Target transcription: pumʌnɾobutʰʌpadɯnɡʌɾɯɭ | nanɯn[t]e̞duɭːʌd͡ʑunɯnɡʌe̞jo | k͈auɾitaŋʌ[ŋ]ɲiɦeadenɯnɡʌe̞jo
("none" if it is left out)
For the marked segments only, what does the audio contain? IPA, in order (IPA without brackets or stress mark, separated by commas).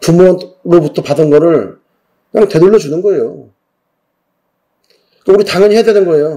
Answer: t, none